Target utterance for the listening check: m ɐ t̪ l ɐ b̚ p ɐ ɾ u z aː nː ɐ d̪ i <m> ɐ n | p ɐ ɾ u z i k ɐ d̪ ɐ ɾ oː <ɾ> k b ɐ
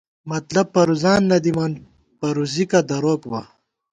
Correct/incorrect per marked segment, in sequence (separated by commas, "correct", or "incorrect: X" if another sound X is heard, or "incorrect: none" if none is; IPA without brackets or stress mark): correct, incorrect: none